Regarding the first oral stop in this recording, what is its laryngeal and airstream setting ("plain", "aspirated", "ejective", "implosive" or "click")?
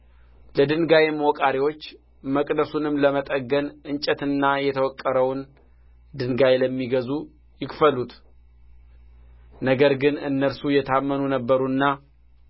plain